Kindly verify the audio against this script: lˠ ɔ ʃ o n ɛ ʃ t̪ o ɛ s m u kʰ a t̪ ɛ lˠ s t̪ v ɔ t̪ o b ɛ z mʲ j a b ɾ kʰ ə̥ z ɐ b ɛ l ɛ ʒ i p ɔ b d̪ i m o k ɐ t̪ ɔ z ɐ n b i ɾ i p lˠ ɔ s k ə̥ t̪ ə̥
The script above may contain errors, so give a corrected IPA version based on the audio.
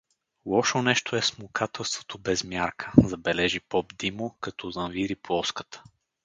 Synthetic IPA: lˠ ɔ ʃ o n ɛ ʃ t̪ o ɛ s m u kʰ a t̪ ɛ lˠ s t̪ v o t̪ o b ɛ z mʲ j a ɾ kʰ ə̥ z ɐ b ɛ l ɛ ʒ i p ɔ b d̪ i m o k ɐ t̪ ɔ z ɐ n v i ɾ i p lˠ ɔ s k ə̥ t̪ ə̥

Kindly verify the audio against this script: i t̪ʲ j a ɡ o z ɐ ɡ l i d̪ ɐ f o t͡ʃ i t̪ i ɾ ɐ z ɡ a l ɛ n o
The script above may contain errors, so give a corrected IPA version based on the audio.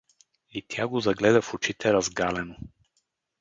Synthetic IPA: i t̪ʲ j a ɡ o z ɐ ɡ l ɛ d̪ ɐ f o t͡ʃ i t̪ ɛ ɾ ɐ z ɡ a l ɛ n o

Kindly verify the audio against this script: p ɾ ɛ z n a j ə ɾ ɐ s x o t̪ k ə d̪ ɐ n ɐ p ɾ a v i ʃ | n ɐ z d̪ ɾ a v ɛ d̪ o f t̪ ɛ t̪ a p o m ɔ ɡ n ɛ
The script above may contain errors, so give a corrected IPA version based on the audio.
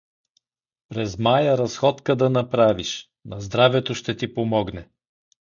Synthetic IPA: p ɾ ɛ z m a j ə ɾ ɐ s x ɔ t̪ k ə d̪ ɐ n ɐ p ɾ a v i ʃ | n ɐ z d̪ ɾ a v ɛ t̪ o ʃ t̪ ɛ t̪ i p o m ɔ ɡ n ɛ

